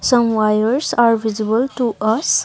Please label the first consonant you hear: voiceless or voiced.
voiceless